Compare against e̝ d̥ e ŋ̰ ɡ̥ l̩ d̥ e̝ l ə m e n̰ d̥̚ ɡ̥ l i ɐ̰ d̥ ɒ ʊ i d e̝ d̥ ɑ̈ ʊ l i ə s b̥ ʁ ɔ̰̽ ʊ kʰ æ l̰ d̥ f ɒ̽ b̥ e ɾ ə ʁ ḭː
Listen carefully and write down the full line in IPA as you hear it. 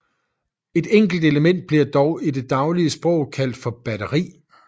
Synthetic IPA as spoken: e̝ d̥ e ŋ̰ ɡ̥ l̩ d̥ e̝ l ə m e n̰ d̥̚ b̥ l i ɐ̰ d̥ ɒ ʊ i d e̝ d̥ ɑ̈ ʊ l i ə s b̥ ʁ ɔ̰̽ ʊ kʰ æ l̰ d̥ f ɒ̽ b̥ æ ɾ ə ʁ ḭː